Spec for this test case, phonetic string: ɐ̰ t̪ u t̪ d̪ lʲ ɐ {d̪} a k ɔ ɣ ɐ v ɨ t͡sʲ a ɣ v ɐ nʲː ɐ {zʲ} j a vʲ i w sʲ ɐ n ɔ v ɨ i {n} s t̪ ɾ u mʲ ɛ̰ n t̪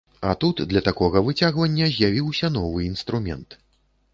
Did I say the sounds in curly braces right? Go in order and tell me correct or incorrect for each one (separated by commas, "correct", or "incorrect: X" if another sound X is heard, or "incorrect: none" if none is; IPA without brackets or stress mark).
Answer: incorrect: t̪, correct, correct